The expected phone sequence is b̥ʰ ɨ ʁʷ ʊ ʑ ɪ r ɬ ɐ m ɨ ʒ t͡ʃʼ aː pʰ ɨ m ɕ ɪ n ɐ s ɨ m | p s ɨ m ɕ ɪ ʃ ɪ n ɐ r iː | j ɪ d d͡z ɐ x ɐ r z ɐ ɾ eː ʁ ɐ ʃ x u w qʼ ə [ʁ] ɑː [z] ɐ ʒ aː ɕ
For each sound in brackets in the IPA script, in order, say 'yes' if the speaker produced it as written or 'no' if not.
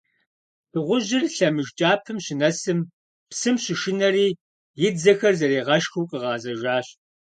yes, yes

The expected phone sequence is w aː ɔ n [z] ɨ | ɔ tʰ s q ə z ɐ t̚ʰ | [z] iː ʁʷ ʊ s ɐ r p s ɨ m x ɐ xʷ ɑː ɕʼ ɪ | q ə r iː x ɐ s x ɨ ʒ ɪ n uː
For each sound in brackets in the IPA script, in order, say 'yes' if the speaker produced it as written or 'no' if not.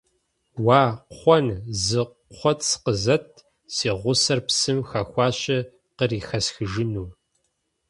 yes, no

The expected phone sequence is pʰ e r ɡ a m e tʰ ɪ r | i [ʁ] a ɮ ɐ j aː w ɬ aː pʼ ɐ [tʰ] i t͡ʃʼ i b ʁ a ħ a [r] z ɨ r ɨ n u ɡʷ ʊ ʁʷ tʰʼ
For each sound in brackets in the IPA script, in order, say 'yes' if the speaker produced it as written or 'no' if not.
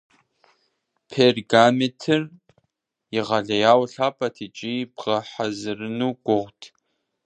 yes, yes, no

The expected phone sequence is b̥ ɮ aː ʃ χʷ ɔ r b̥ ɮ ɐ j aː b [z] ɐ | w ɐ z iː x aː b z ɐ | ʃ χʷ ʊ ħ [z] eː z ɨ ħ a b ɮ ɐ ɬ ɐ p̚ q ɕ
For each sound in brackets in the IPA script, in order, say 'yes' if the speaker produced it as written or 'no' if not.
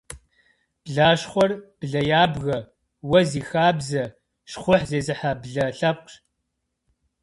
no, yes

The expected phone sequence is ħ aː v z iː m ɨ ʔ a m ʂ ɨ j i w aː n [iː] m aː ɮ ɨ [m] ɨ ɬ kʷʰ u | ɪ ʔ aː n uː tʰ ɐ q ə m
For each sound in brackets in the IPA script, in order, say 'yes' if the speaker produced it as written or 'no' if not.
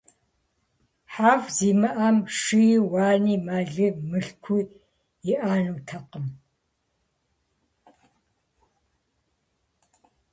yes, yes

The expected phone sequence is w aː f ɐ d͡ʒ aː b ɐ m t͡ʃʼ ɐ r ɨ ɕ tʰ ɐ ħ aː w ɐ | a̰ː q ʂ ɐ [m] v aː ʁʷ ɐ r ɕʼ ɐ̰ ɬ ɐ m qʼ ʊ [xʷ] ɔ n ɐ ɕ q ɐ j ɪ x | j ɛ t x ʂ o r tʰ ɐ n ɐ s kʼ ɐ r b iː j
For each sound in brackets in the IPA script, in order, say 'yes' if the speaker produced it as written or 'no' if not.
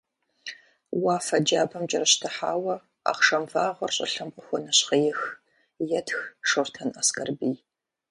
yes, yes

